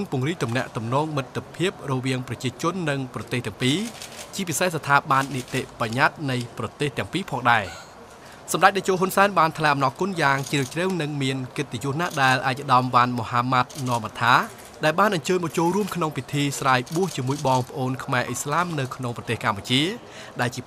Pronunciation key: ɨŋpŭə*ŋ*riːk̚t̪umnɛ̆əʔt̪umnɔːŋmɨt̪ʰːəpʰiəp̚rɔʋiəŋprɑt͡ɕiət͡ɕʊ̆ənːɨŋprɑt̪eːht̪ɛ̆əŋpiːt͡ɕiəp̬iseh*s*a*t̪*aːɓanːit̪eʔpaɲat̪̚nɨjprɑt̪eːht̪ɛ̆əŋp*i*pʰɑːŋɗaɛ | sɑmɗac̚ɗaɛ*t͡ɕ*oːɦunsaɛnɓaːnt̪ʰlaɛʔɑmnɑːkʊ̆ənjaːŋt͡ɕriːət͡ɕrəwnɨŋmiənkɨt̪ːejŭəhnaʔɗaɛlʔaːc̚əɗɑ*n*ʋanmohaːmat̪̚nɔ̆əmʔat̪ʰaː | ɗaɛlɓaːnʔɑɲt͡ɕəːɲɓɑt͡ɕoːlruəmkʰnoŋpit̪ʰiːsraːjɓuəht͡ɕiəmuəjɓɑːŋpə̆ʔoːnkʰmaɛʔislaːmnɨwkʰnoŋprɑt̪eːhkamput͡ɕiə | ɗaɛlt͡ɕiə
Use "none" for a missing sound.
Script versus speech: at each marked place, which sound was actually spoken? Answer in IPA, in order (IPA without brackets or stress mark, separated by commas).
ŋ, s, t̪ʰ, iː, t͡ɕ, m